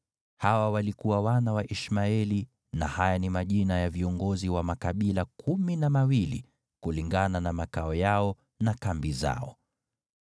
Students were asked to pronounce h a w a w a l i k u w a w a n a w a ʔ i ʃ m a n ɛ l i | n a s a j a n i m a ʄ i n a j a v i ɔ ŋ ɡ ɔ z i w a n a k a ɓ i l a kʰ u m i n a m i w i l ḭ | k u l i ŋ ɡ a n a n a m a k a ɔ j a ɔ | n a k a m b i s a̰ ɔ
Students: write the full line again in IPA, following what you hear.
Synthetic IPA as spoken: h a w a w a l i k u w a w a n a w a ʔ i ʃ m a ɛ l i | n a h a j a n i m a ʄ i n a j a v i ɔ ŋ ɡ ɔ z i w a m a k a ɓ i l a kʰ u m i n a m a w i l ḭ | k u l i ŋ ɡ a n a n a m a k a ɔ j a ɔ | n a k a m b i z a̰ ɔ

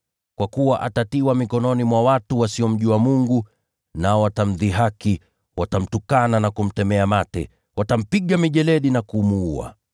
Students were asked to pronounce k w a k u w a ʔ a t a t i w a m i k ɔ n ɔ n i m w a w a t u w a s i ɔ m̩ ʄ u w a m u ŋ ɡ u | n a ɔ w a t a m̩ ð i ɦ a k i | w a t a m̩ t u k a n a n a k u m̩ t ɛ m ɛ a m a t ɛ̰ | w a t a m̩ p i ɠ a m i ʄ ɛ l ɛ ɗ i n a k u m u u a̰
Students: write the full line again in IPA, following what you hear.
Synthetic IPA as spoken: k w a k u w a ʔ a t a t i w a m i k ɔ n ɔ n i m w a w a t u w a s i ɔ m̩ ʄ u w a m u ŋ ɡ u | n a ɔ w a t a m̩ ð i ɦ a k i | w a t a m̩ t u k a n a n a k u m̩ t ɛ m ɛ a m a t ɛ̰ | w a t a m̩ p i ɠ a m i ʄ ɛ l ɛ ɗ i n a k u m u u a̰

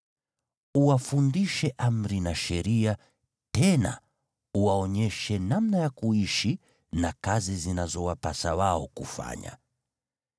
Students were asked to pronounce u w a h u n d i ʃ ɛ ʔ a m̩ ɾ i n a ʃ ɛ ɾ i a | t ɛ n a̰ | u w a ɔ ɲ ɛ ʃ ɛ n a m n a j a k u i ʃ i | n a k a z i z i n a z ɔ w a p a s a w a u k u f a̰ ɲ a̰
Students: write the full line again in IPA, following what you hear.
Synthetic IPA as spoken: u w a f u n d i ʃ ɛ ʔ a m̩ ɾ i n a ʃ ɛ ɾ i a | t ɛ n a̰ | u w a ɔ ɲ ɛ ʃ ɛ n a m n a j a k u i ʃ i | n a k a z i z i n a z ɔ w a p a s a w a ɔ k u f a̰ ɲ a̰

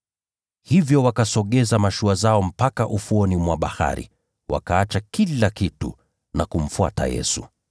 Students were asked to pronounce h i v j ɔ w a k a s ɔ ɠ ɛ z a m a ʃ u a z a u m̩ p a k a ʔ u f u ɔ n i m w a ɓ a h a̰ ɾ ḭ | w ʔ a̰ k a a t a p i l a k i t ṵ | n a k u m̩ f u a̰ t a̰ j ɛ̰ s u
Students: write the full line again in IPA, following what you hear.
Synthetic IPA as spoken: h i v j ɔ w a k a s ɔ ɠ ɛ z a m a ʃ u a z a ɔ m̩ p a k a ʔ u f u ɔ n i m w a ɓ a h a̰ ɾ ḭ | w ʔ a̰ k a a t͡ʃ a k i l a k i t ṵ | n a k u m̩ f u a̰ t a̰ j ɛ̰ s u

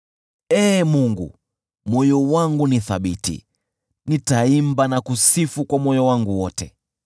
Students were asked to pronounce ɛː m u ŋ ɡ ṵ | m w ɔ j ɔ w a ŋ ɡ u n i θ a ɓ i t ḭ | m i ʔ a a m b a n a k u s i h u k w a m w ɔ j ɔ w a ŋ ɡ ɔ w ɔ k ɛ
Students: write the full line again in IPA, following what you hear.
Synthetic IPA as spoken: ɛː m u ŋ ɡ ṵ | m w ɔ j ɔ w a ŋ ɡ u n i θ a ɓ i t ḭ | n i t a i m b a n a k u s i f u k w a m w ɔ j ɔ w a ŋ ɡ u w ɔ t ɛ

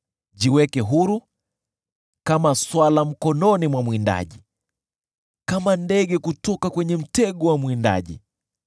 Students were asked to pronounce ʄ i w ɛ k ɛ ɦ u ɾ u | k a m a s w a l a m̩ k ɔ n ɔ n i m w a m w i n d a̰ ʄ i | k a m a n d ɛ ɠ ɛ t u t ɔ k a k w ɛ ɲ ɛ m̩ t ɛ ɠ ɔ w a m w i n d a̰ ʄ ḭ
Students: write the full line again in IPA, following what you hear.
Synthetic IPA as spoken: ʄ i w ɛ k ɛ ɦ u ɾ u | k a m a s w a l a m̩ k ɔ n ɔ n i m w a m w i n d a̰ ʄ i | k a m a n d ɛ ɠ ɛ k u t ɔ k a k w ɛ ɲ ɛ m̩ t ɛ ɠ ɔ w a m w i n d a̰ ʄ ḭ

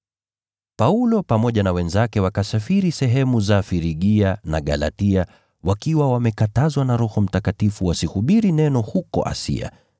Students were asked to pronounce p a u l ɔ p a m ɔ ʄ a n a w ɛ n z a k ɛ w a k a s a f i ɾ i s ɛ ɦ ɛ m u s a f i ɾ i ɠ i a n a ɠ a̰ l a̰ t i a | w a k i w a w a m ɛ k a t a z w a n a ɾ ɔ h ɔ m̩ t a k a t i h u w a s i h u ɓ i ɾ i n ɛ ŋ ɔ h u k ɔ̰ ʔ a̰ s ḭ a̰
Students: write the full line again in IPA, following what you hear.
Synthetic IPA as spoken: p a u l ɔ p a m ɔ ʄ a n a w ɛ n z a k ɛ w a k a s a f i ɾ i s ɛ ɦ ɛ m u z a f i ɾ i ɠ i a n a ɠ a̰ l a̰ t i a | w a k i w a w a m ɛ k a t a z w a n a ɾ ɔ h ɔ m̩ t a k a t i f u w a s i h u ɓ i ɾ i n ɛ n ɔ h u k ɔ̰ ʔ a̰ s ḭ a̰

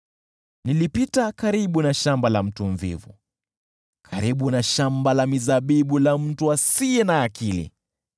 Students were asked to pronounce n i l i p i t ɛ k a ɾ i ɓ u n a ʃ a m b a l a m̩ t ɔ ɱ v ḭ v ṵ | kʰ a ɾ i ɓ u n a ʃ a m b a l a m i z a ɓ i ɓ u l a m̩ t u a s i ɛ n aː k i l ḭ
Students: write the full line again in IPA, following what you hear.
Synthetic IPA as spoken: n i l i p i t a k a ɾ i ɓ u n a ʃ a m b a l a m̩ t u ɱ v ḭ v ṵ | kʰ a ɾ i ɓ u n a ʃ a m b a l a m i z a ɓ i ɓ u l a m̩ t u a s i ɛ n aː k i l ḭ

